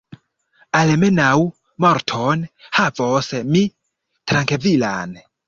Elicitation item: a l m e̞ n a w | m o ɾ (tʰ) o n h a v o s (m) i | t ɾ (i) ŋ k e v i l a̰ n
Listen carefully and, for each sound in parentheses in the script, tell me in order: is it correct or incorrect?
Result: correct, correct, incorrect: a

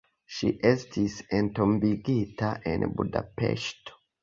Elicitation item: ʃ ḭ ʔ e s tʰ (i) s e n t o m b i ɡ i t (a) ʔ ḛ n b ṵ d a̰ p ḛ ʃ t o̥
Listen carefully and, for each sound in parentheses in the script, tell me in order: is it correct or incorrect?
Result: correct, correct

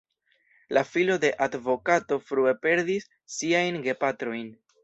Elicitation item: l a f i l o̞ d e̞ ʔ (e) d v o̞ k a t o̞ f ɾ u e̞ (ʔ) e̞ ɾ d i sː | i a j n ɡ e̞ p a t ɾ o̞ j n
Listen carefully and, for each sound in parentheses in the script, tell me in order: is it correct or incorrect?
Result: incorrect: a, incorrect: p

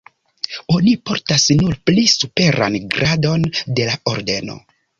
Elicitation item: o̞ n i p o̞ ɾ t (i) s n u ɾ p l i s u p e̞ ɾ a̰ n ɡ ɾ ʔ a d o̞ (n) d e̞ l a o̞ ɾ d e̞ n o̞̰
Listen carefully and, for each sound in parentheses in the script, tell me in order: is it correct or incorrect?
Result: incorrect: a, correct

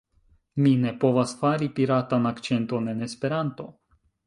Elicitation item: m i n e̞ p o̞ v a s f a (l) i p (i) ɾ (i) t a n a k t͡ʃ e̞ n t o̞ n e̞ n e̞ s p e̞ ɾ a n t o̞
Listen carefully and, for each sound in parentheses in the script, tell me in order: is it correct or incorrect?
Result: incorrect: ɾ, correct, incorrect: a

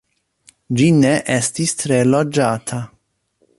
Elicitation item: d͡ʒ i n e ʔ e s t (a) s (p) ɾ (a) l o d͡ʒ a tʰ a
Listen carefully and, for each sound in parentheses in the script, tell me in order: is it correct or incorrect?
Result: incorrect: i, incorrect: t, incorrect: e

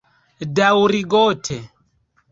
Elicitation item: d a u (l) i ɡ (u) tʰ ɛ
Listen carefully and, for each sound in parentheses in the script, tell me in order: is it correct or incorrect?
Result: incorrect: ɾ, incorrect: ɔ

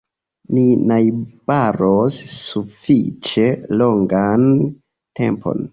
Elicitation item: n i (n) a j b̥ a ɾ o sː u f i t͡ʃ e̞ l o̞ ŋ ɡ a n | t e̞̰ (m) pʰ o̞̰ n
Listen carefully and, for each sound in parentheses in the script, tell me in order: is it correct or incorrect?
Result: correct, correct

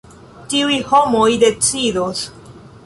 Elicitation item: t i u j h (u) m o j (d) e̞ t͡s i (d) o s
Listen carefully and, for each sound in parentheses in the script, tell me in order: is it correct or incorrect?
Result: incorrect: o, correct, correct

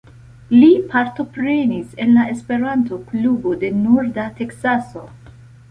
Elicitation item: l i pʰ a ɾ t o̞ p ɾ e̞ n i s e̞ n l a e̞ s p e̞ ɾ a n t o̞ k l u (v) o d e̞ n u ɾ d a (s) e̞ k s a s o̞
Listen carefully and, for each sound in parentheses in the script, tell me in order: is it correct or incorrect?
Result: incorrect: b, incorrect: t

